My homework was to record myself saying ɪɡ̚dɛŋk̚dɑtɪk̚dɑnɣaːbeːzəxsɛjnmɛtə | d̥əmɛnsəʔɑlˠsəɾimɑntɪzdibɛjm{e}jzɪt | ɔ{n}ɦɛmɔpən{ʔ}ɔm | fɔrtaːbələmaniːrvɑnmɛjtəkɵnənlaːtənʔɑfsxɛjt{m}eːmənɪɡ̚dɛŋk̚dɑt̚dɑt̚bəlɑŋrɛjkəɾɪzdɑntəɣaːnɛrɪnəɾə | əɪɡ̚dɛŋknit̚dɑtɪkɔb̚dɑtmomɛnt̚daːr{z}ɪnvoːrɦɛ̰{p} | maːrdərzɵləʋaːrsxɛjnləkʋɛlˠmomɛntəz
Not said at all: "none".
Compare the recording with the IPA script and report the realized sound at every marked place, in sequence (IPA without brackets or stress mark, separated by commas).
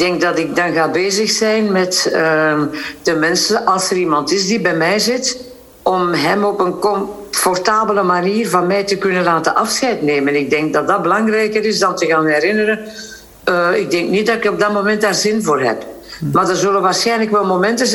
ɛ, m, k, n, z, p